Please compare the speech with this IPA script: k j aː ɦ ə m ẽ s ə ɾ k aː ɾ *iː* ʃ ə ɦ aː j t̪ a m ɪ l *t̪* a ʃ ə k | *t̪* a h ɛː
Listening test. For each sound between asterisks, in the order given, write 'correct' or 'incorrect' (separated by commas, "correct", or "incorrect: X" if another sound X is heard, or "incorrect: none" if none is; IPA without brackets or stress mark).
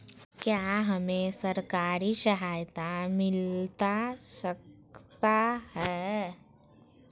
incorrect: i, correct, correct